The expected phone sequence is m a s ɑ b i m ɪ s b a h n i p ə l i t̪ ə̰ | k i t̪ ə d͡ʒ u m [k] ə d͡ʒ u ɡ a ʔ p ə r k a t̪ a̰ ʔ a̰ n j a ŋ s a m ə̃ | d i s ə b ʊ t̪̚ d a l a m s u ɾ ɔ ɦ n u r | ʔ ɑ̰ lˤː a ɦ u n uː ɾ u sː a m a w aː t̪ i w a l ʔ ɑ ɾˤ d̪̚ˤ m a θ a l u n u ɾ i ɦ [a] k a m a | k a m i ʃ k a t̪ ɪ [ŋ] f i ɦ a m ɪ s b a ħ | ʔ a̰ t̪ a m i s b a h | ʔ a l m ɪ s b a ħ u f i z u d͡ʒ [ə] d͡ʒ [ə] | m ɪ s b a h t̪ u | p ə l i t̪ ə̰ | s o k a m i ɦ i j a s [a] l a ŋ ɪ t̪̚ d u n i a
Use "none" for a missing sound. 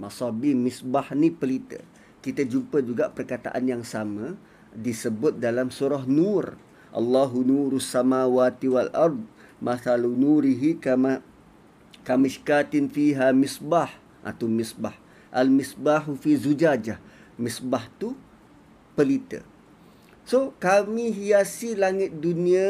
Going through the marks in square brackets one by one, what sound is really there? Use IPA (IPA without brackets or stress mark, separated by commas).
p, i, n, a, a, i